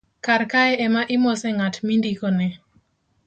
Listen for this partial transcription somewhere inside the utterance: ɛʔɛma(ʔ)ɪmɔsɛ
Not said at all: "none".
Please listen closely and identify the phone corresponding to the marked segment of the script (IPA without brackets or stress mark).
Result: ʔ